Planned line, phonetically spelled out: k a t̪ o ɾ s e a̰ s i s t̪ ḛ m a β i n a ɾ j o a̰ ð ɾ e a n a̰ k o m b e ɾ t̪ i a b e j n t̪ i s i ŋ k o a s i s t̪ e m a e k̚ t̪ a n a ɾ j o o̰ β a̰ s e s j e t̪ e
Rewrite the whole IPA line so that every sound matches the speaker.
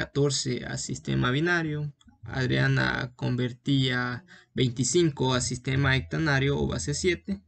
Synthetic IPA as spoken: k a t̪ o ɾ s e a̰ s i s t̪ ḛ m a β i n a ɾ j o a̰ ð ɾ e a n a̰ k o m b e ɾ t̪ i a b e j n t̪ i s i ŋ k o a s i s t̪ e m a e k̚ t̪ a n a ɾ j o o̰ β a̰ s e s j e t̪ e